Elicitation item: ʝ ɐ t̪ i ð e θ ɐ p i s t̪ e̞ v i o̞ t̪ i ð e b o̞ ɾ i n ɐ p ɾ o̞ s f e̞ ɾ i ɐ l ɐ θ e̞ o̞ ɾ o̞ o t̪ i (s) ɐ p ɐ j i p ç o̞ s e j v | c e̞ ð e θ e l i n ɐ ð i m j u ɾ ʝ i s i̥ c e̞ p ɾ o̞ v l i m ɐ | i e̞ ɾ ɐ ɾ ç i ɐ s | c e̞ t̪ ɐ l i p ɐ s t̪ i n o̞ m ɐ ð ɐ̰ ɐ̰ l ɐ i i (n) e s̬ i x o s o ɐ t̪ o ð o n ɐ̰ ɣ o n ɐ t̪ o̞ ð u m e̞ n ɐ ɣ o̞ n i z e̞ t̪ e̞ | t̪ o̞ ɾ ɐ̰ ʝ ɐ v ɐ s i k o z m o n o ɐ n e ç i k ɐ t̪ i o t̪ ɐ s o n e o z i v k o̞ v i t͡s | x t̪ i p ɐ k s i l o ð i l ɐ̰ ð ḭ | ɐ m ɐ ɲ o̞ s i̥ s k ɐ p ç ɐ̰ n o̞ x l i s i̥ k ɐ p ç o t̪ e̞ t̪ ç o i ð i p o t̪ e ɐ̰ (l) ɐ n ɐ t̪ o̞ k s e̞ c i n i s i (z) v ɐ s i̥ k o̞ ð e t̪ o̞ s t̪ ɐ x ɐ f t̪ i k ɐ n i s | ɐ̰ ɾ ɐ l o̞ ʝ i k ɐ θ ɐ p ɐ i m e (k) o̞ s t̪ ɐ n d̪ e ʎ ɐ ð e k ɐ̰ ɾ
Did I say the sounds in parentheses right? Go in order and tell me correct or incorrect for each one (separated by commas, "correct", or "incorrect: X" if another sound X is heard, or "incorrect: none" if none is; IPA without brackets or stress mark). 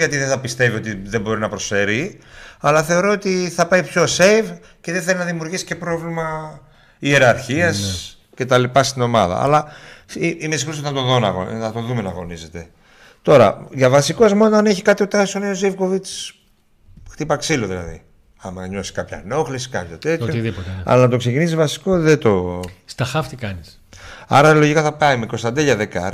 incorrect: θ, incorrect: m, correct, correct, correct